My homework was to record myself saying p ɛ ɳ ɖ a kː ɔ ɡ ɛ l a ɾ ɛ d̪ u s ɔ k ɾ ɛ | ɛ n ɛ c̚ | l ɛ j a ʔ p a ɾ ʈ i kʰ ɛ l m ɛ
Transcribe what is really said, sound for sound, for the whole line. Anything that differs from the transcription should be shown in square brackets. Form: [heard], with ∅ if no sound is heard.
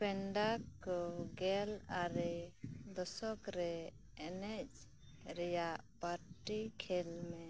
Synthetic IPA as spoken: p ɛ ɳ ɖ a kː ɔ ɡ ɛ l a ɾ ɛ d̪ [ɔ] s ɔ k ɾ ɛ | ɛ n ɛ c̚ | [ɾ] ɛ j a ʔ p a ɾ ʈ i kʰ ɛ l m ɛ